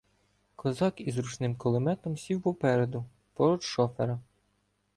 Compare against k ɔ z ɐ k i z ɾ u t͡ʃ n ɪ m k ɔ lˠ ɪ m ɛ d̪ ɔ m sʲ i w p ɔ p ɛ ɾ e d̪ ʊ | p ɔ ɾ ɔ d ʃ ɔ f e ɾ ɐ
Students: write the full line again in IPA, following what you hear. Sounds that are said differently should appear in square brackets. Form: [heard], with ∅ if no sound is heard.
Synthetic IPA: k ɔ z [ɑ] k i z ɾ u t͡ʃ n ɪ m k ɔ lˠ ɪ m ɛ [t̪] ɔ m sʲ i w p ɔ p ɛ ɾ e d̪ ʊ | p ɔ ɾ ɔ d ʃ ɔ f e ɾ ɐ